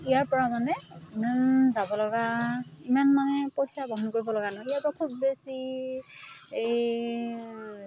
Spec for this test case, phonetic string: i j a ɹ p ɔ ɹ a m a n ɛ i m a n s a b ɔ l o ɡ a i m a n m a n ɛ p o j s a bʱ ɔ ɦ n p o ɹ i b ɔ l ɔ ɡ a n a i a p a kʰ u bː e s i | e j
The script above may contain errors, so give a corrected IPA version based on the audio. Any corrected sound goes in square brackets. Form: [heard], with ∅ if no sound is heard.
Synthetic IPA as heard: i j a ɹ p ɔ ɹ a m a n ɛ i m a n [z] a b ɔ l [ɔ] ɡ a i m a n m a n ɛ p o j s a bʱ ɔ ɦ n [k] o ɹ i b ɔ l ɔ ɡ a n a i a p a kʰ u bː e s i | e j